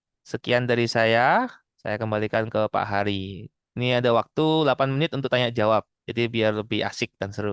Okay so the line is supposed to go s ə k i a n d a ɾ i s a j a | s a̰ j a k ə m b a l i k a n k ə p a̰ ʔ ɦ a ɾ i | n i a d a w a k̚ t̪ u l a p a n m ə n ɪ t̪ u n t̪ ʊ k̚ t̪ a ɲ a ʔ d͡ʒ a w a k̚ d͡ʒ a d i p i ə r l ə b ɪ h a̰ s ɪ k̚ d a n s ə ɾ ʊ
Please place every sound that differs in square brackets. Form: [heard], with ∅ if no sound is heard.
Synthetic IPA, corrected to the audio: s ə k i a n d a ɾ i s a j a | s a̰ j a k ə m b a l i k a n k ə p a̰ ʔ ɦ a ɾ i | n i a d a w a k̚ t̪ u l a p a n m ə n ɪ t̪ u n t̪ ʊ k̚ t̪ a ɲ a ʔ d͡ʒ a w a [p̚] d͡ʒ a d i [b] i [a] r l ə b ɪ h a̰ s ɪ k̚ d a n s ə ɾ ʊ

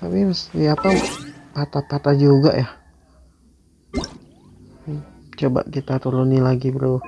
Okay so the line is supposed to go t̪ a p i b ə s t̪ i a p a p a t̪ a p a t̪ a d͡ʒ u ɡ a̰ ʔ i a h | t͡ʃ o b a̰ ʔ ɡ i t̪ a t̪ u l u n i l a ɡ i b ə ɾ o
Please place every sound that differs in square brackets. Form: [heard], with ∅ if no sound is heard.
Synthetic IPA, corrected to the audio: t̪ a p i [m] ə s t̪ i a p a p a t̪ a p a t̪ a d͡ʒ u ɡ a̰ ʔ [j] a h | t͡ʃ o b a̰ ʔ [k] i t̪ a t̪ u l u n i l a ɡ i b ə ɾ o

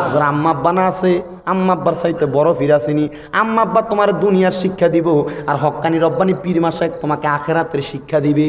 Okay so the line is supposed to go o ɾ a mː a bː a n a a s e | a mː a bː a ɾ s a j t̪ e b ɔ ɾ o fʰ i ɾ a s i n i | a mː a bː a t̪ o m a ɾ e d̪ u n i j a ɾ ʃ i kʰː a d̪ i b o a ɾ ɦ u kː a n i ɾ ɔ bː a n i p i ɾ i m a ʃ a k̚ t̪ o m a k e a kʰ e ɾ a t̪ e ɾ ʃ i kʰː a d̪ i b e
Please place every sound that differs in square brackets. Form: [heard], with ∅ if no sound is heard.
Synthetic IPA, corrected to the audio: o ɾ a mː a bː a n a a s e | a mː a bː a ɾ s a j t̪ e b ɔ ɾ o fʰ i ɾ a s i n i | a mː a bː a t̪ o m a ɾ e d̪ u n i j a ɾ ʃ i kʰː a d̪ i b o a ɾ ɦ [ɔ] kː a n i ɾ ɔ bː a n i p i ɾ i m a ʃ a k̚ t̪ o m a k e a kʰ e ɾ a t̪ e ɾ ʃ i kʰː a d̪ i b e

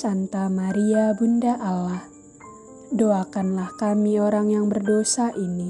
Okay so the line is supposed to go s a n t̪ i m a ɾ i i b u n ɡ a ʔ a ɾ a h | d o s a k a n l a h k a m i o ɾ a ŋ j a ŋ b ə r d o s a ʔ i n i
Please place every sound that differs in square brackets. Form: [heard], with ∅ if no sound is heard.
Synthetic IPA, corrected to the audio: s a n t̪ [a] m a ɾ i [a] b u n [d] a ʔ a [l] a h | d o [∅] a k a n l a h k a m i o ɾ a ŋ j a ŋ b ə r d o s a ʔ i n i

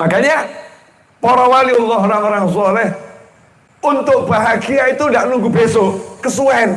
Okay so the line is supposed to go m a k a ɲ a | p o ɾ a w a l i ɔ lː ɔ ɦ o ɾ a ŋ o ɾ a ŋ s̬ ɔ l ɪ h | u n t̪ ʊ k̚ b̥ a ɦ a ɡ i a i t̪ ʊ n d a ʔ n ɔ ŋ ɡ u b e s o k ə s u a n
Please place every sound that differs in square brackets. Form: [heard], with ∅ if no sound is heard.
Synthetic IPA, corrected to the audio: m a k a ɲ a | p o ɾ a w a l i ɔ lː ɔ ɦ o ɾ a ŋ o ɾ a ŋ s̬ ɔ l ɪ h | u n t̪ ʊ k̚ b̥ a ɦ a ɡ i a i t̪ [u] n d a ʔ n [u] ŋ ɡ u b e s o k ə s u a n

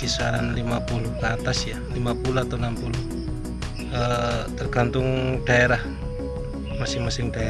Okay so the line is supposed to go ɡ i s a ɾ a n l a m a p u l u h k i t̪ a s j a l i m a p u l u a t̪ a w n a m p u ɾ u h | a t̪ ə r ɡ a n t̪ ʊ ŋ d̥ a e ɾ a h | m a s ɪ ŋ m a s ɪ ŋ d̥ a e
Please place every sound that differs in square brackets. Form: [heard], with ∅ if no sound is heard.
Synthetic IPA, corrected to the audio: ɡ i s a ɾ a n l [i] m a p u l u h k [a] t̪ a s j a l i m a p u l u a t̪ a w n a m p u [l] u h | [ə] t̪ ə r ɡ a n t̪ ʊ ŋ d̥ a e ɾ a h | m a s ɪ ŋ m a s ɪ ŋ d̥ a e

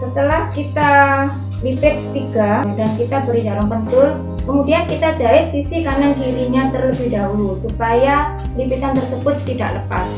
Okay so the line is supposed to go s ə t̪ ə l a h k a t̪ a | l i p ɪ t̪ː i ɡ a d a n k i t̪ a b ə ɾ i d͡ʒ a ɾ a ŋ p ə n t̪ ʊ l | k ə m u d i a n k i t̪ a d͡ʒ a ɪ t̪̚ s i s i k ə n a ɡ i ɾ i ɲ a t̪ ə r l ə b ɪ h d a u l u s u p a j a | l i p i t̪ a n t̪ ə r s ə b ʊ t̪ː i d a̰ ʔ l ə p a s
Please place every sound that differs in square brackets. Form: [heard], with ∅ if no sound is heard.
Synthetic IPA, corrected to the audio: s ə t̪ ə l a h k [i] t̪ a | l i p ɪ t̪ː i ɡ a d a n k i t̪ a b ə ɾ i d͡ʒ a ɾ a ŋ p ə n t̪ ʊ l | k ə m u d i a n k i t̪ a d͡ʒ a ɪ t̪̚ s i s i k [a] n a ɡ i ɾ i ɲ a t̪ ə r l ə b ɪ h d a u l u s u p a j a | l i p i t̪ a n t̪ ə r s ə b ʊ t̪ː i d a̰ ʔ l ə p a s

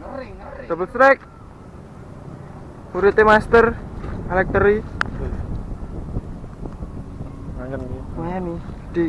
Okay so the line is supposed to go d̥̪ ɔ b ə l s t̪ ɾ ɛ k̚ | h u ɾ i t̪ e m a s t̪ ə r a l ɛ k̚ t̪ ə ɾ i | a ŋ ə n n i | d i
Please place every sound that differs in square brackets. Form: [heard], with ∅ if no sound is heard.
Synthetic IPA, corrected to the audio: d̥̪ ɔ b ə l s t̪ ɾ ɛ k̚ | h u ɾ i t̪ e m a s t̪ ə r a l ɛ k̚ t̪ ə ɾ i | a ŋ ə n n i | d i

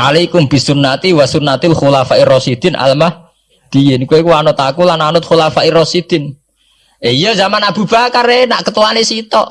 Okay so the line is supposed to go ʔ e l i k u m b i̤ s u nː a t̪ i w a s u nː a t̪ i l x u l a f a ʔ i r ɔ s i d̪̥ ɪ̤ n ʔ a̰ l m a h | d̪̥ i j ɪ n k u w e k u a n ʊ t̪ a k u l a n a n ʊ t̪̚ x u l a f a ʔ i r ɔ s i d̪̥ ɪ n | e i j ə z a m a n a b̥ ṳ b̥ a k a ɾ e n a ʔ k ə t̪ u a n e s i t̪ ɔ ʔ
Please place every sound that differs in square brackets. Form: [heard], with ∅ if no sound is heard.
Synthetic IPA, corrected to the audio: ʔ [a] l i k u m b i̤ s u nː a t̪ i w a s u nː a t̪ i l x u l a f a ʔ i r ɔ s i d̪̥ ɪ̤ n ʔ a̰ l m a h | d̪̥ i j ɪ n k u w e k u a n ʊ t̪ a k u l a n a n ʊ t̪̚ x u l a f a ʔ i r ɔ s i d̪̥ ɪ n | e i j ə z a m a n a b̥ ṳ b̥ a k a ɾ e n a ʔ k ə t̪ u a n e s i t̪ ɔ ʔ

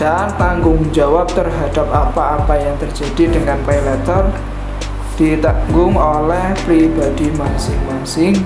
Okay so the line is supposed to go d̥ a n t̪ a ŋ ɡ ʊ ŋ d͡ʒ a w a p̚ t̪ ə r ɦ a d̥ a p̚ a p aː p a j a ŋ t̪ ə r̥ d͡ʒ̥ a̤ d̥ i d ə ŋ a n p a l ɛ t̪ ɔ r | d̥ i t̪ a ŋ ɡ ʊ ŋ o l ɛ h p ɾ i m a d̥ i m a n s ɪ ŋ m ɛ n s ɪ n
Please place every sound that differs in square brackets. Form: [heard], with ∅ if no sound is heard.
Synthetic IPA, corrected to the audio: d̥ a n t̪ a ŋ ɡ ʊ ŋ d͡ʒ a w a p̚ t̪ ə r ɦ a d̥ a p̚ a p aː p a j a ŋ t̪ ə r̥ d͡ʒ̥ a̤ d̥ i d ə ŋ a n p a l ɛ t̪ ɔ r | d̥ i t̪ a ŋ ɡ ʊ ŋ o l ɛ h p ɾ i [b] a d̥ i m a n s ɪ ŋ m [a] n s ɪ [ŋ]

